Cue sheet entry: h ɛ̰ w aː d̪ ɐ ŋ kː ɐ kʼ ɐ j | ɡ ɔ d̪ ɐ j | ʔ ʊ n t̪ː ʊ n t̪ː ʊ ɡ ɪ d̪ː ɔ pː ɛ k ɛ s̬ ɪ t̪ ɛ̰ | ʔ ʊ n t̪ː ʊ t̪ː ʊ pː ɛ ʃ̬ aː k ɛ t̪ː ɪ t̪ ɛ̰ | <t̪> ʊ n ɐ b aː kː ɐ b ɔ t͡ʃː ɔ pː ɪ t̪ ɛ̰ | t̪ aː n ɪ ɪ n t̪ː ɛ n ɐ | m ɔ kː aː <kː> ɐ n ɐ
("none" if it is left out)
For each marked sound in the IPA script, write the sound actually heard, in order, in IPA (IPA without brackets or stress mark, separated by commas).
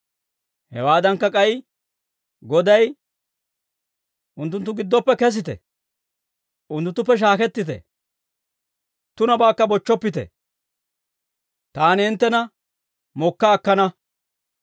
t̪, kː